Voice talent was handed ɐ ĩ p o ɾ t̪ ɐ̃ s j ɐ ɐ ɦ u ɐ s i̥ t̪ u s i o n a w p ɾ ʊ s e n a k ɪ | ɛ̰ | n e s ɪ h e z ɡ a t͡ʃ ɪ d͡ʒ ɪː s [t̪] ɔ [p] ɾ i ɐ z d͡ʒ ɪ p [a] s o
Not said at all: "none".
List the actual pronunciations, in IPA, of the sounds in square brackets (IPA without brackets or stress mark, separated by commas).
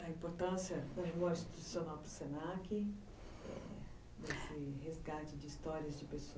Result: t̪, none, e